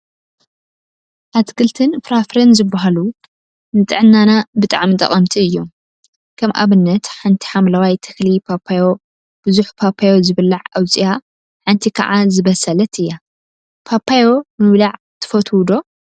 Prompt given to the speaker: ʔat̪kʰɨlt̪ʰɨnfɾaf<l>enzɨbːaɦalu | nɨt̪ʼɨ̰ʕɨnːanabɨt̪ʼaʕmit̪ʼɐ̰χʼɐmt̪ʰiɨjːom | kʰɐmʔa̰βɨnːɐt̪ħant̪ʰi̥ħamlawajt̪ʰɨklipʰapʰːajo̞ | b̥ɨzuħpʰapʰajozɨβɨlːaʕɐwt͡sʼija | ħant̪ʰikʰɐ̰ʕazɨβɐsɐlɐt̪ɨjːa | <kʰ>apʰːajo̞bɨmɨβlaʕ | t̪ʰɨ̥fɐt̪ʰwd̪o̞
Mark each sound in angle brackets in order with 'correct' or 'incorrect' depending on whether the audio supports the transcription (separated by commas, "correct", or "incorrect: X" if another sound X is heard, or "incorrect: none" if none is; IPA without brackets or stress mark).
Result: incorrect: ɾ, incorrect: pʰ